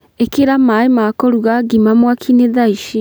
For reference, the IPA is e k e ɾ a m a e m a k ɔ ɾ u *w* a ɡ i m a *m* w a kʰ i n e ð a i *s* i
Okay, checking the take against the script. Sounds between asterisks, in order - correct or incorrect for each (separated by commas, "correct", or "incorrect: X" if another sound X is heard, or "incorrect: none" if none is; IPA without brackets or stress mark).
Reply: incorrect: ɣ, correct, incorrect: ʃ